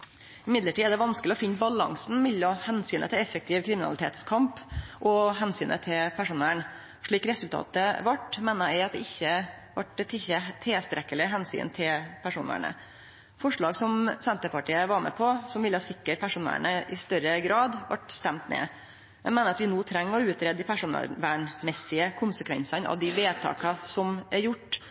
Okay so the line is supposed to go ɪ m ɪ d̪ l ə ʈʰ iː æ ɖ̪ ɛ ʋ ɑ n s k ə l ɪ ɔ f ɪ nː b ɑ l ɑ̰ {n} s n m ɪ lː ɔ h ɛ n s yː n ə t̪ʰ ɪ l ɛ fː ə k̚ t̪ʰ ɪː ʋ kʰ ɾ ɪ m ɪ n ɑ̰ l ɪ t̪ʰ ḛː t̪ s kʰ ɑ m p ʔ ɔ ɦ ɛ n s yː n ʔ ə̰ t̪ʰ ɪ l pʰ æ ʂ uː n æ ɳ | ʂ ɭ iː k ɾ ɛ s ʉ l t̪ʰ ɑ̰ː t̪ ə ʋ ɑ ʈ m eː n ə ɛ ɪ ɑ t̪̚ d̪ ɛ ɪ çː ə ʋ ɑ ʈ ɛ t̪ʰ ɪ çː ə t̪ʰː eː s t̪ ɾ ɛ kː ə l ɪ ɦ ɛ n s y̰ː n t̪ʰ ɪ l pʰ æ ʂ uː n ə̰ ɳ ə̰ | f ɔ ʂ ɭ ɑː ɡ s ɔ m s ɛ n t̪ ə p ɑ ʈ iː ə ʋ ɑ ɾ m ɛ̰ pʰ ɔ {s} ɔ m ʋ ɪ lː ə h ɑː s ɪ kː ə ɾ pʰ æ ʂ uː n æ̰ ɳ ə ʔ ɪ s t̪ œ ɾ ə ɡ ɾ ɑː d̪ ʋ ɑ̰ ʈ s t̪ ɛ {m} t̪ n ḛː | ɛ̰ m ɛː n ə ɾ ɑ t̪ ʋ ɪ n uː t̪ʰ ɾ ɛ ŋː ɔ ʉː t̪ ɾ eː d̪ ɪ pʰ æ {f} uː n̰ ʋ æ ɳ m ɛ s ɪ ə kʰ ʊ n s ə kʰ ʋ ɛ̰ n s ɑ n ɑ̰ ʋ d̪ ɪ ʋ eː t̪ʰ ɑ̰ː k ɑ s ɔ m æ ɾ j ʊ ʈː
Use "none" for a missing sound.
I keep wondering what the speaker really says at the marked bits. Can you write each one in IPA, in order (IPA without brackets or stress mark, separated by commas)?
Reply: ŋ, s, m, ʂ